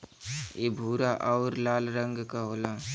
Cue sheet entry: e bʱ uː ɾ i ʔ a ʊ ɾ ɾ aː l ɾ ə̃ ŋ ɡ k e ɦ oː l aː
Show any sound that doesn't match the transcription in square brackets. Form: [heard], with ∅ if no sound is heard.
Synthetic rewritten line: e bʱ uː ɾ [a] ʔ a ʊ ɾ [l] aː l ɾ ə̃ ŋ ɡ k [a] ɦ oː l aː